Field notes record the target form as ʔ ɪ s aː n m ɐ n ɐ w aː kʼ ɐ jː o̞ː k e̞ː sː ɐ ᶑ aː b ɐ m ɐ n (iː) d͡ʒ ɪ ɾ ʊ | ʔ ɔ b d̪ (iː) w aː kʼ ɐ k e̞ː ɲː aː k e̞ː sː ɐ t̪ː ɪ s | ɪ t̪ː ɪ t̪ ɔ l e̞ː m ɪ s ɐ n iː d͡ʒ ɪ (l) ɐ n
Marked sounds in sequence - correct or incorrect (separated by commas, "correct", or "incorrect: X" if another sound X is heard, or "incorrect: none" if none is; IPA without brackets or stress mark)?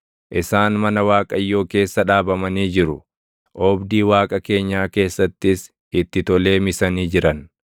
correct, correct, incorrect: ɾ